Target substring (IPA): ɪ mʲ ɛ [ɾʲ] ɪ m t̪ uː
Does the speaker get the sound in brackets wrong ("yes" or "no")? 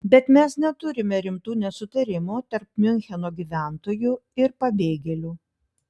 no